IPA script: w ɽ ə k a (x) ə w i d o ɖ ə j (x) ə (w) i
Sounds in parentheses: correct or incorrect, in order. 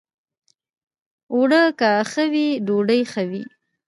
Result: correct, correct, correct

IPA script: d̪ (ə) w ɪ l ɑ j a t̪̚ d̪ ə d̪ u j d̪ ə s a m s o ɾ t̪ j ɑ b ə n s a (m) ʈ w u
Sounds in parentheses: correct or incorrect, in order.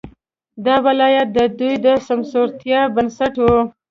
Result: incorrect, incorrect

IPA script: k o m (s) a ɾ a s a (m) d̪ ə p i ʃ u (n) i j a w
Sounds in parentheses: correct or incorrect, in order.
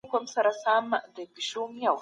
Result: correct, correct, incorrect

